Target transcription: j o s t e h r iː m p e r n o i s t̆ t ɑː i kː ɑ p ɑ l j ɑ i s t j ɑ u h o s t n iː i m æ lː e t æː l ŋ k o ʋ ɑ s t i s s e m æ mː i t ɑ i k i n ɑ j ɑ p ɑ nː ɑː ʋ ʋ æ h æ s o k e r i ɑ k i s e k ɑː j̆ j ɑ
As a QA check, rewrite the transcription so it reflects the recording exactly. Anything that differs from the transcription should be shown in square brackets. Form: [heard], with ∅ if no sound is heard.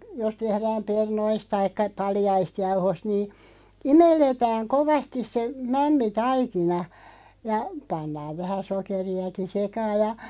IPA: j o s t e h r [æː] m p e r n o i s t̆ t [ɑ] i kː ɑ p ɑ l j ɑ i s t j ɑ u h o s t n iː i m [e] lː e t æː [∅] ŋ k o ʋ ɑ s t i s s e m æ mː i t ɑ i k i n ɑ j ɑ p ɑ nː ɑː ʋ ʋ æ h æ s o k e r i ɑ k i s e k ɑː j̆ j ɑ